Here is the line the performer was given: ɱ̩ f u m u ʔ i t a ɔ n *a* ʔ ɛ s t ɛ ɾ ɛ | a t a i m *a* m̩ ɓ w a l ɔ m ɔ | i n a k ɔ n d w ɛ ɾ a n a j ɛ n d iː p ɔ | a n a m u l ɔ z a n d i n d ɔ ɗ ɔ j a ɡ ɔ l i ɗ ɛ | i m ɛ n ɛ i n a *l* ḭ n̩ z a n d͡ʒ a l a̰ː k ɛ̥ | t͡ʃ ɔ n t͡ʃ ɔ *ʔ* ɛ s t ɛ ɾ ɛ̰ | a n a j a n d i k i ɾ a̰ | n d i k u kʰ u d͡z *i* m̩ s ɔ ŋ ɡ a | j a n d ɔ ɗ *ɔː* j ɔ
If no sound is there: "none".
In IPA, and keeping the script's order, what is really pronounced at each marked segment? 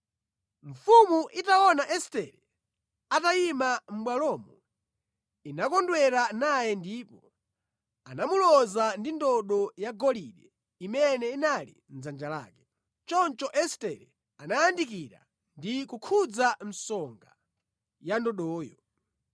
a, a, l, ʔ, a, ɔː

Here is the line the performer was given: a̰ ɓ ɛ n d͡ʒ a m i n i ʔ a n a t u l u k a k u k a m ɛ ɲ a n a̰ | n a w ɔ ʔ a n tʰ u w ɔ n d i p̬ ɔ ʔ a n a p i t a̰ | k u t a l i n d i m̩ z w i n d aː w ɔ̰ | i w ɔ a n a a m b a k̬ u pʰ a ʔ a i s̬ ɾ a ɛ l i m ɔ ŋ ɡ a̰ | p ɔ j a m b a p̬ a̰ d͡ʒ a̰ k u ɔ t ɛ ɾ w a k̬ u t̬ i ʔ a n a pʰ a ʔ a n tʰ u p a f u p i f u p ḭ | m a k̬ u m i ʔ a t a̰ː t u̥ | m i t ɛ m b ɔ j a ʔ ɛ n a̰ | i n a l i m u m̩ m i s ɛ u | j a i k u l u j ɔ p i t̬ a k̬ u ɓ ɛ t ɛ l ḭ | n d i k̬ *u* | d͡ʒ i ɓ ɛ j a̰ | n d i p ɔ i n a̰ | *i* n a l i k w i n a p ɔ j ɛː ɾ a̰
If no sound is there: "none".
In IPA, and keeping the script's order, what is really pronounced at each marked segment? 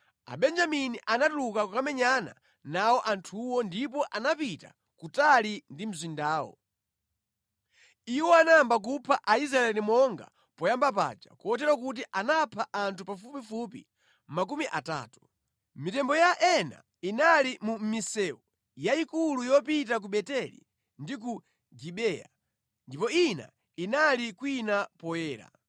u, i

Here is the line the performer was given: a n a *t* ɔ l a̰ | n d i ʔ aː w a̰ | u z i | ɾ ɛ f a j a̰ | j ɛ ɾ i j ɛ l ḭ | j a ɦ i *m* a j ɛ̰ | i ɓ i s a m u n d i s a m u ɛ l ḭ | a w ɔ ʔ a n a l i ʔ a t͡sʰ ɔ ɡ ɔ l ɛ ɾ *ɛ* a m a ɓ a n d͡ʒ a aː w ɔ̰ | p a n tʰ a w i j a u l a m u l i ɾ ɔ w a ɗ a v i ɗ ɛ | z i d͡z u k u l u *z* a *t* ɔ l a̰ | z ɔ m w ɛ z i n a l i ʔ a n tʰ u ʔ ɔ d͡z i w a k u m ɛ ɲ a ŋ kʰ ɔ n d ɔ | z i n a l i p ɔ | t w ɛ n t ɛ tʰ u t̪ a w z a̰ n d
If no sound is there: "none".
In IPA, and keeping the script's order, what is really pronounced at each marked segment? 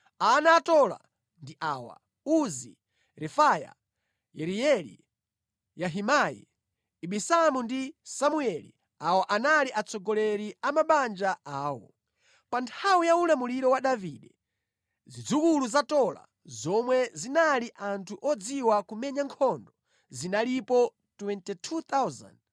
t, m, i, z, t

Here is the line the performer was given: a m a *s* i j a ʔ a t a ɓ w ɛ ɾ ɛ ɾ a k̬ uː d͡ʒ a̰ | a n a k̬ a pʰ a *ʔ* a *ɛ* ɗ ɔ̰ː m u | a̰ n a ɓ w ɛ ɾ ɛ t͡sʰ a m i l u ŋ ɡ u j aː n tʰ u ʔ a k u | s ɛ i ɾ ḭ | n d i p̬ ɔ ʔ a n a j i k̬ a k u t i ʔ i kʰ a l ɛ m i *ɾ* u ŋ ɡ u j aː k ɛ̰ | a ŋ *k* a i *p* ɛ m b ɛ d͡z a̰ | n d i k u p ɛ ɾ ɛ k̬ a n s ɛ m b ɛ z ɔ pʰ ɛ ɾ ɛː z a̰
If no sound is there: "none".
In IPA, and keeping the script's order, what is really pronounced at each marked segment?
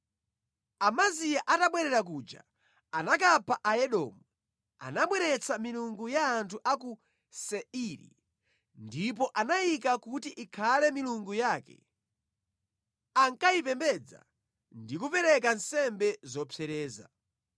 z, ʔ, ɛ, l, k, p

